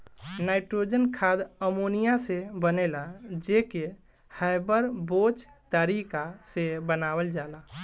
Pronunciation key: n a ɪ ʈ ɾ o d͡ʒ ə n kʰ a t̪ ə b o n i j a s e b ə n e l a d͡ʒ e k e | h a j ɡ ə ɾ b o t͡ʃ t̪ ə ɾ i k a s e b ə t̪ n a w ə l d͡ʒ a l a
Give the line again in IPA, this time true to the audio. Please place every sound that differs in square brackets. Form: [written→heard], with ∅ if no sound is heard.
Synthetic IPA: n a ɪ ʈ ɾ o d͡ʒ ə n kʰ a [t̪→d̪] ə [b→m] o n i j a s e b ə n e l a d͡ʒ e k e | h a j [ɡ→b] ə ɾ b o t͡ʃ t̪ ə ɾ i k a s e b ə [t̪→∅] n a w ə l d͡ʒ a l a